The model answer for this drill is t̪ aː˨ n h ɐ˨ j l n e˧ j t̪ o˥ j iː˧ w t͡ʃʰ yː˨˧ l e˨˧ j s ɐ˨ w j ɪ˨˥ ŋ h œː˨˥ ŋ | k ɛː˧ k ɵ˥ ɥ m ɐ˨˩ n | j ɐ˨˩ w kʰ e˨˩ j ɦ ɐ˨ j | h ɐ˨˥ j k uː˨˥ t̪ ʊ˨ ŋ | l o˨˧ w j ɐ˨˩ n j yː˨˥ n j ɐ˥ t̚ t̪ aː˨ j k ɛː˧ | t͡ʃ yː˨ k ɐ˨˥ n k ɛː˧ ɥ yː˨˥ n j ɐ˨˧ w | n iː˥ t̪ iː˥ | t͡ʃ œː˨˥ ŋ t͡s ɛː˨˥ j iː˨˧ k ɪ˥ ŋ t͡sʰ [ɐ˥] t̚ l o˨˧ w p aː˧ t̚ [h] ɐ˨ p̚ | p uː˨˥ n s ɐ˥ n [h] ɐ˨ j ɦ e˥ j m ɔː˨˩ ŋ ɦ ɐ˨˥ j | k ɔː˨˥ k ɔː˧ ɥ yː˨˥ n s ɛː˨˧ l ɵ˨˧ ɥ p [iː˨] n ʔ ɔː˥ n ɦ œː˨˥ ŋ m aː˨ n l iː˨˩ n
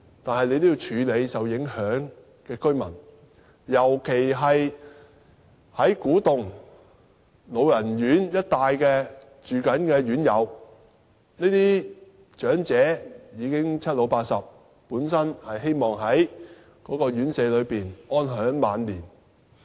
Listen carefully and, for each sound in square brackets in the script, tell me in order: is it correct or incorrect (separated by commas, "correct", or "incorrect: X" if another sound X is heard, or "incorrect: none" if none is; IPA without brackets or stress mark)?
correct, incorrect: s, correct, correct